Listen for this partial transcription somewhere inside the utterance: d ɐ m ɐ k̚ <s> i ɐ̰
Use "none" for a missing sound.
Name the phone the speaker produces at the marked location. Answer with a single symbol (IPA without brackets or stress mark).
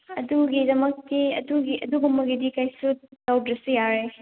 t